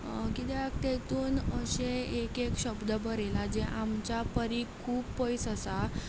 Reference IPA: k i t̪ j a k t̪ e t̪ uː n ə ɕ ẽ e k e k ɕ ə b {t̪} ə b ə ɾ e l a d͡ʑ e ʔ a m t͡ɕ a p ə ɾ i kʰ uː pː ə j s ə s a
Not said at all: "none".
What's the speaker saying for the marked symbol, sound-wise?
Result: d̪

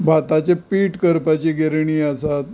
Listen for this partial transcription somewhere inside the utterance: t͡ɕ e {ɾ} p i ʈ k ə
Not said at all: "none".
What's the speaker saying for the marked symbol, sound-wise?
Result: none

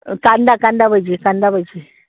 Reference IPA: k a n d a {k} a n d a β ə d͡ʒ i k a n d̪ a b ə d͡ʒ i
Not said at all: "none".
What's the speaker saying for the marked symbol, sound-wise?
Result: k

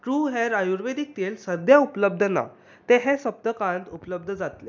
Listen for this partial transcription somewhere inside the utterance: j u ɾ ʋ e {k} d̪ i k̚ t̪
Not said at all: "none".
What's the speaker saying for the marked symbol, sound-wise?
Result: none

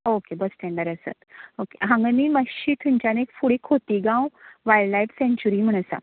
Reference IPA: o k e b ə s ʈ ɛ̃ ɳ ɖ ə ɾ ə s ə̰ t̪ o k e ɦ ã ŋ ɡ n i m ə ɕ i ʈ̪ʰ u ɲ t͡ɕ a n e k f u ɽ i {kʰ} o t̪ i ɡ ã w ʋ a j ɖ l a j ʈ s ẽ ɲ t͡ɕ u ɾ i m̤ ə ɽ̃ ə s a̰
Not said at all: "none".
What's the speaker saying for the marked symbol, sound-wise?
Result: kʰ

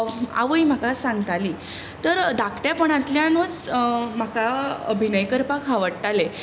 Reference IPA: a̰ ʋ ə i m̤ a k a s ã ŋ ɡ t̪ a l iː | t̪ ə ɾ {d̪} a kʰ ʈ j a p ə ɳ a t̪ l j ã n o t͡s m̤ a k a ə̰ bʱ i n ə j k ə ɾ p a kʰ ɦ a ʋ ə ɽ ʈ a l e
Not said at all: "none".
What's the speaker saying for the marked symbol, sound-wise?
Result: d̪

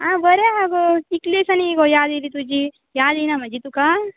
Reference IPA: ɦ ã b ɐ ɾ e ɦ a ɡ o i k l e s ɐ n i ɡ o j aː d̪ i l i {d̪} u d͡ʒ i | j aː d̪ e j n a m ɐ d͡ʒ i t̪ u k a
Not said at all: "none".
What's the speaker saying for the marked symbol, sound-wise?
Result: t̪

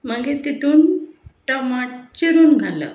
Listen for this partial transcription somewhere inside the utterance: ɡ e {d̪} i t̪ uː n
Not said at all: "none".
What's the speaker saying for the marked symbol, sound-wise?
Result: t̪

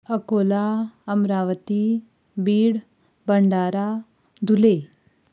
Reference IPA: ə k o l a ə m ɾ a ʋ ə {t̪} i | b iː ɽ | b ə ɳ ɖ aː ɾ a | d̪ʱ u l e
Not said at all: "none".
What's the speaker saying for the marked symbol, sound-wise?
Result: t̪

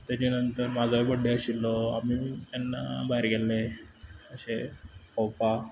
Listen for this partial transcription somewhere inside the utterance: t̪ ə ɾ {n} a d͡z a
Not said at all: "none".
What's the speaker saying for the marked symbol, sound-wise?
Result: m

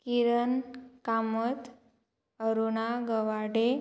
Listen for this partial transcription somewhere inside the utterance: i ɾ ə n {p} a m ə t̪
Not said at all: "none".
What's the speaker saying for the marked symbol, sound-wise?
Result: k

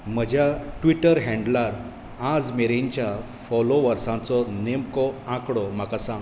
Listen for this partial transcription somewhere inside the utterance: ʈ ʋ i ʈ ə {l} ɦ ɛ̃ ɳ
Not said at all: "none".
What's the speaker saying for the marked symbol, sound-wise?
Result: ɾ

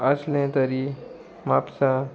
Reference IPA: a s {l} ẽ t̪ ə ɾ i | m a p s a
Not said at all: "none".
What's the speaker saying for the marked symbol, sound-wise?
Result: l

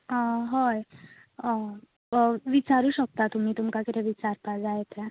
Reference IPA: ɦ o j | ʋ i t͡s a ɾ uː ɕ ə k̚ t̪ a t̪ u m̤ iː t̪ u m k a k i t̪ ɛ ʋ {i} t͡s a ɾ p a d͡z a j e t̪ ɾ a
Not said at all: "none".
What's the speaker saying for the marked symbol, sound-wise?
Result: i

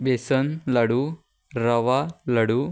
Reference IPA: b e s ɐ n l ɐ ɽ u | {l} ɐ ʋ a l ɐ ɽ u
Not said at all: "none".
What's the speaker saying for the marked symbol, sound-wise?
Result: ɾ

